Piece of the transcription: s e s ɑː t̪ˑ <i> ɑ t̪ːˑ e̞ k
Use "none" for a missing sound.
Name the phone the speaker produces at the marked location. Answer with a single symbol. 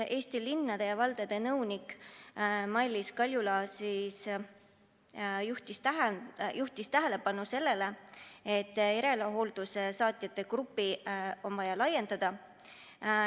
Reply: j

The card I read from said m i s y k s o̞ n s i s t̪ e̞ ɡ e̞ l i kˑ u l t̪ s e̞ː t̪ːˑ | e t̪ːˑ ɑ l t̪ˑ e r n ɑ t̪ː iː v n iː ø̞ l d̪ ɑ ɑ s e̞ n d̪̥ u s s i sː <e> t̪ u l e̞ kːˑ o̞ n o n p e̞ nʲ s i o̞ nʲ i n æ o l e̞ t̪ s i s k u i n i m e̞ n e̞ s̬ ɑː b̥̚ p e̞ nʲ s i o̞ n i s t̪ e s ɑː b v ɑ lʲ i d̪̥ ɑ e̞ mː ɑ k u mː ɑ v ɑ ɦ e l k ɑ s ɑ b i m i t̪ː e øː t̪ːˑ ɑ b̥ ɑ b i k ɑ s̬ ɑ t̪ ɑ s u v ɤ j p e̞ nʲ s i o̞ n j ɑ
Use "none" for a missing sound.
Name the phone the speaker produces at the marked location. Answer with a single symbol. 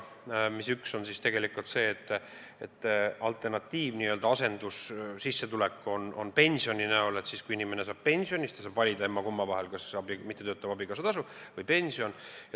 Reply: e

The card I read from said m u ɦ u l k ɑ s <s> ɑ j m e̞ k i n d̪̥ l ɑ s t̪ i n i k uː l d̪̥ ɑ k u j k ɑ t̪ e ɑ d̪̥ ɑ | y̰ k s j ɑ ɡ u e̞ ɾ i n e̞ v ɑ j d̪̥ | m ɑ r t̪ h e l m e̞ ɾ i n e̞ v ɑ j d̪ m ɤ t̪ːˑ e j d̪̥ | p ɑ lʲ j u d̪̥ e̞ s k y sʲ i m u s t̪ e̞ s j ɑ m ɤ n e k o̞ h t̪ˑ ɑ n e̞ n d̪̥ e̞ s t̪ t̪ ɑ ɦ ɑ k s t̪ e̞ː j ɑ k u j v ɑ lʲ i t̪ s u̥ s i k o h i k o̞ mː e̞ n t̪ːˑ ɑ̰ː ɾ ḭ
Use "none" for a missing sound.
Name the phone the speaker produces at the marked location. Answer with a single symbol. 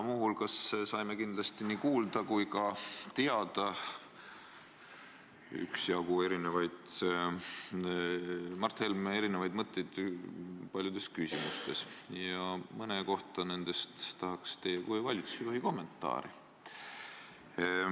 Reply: s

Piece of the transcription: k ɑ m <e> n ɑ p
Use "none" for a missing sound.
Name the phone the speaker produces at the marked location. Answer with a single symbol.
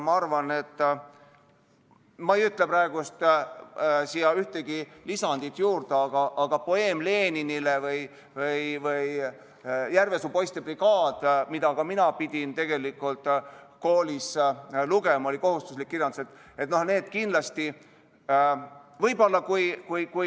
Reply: i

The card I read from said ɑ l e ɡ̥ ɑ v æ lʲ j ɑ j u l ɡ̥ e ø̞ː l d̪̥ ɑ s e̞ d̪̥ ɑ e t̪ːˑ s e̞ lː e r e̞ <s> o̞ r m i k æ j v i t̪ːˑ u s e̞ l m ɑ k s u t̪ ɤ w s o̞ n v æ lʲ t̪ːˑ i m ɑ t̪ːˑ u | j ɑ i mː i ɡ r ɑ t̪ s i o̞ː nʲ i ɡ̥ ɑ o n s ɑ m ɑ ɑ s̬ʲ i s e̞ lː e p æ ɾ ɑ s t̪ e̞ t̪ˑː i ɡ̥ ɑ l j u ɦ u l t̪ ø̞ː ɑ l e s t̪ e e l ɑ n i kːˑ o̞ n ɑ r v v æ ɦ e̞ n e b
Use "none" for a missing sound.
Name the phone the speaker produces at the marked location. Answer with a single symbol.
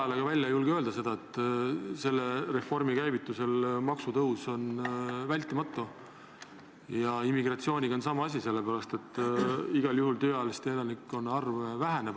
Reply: f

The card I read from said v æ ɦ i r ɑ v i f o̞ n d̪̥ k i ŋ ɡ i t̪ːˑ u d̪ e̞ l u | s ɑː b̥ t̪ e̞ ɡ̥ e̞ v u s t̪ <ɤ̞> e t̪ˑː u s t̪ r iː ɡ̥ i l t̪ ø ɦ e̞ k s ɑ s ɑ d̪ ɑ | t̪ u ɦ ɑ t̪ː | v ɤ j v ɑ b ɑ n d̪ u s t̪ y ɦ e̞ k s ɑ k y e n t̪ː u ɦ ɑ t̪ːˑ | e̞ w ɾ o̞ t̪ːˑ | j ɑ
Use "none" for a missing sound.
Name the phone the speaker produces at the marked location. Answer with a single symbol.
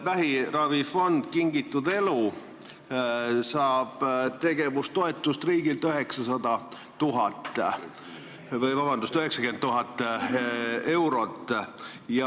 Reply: o̞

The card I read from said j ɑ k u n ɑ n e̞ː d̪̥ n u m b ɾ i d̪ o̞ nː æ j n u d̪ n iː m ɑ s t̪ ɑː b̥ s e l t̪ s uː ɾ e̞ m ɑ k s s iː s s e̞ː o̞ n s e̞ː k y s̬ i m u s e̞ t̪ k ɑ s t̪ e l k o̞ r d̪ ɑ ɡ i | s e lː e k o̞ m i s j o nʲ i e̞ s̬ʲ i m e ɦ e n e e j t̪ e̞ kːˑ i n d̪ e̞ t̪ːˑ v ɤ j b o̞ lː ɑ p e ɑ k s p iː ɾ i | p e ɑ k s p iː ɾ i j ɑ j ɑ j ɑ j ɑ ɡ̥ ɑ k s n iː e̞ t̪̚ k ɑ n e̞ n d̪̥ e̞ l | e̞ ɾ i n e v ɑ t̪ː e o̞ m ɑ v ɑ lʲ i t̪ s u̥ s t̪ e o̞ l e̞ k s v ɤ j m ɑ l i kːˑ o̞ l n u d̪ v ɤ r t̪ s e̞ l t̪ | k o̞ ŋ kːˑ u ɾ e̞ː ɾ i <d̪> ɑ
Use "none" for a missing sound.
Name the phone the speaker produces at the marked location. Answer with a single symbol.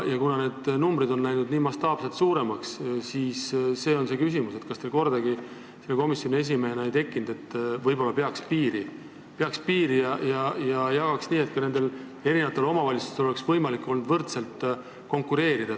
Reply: d̪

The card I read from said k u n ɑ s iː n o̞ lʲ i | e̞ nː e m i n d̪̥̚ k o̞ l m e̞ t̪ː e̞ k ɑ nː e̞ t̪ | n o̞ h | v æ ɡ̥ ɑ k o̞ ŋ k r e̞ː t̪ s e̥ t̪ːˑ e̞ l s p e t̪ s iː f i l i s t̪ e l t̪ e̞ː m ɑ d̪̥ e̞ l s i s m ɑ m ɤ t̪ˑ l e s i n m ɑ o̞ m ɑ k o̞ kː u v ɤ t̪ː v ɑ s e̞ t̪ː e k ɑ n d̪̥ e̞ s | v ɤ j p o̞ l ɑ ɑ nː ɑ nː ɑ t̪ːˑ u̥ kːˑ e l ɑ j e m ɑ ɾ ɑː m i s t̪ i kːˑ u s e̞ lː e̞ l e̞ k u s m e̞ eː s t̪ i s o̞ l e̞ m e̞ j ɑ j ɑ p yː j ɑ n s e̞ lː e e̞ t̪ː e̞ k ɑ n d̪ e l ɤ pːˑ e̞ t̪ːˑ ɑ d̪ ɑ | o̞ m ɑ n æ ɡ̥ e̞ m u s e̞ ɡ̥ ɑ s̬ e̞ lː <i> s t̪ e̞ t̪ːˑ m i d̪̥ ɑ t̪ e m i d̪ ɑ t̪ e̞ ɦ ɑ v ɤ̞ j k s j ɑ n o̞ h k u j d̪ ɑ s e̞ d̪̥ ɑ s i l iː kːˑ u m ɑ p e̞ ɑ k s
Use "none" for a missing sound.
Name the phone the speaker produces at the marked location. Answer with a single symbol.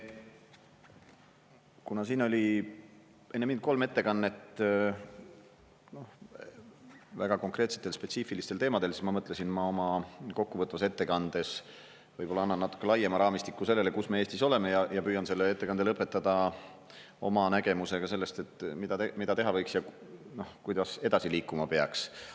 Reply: e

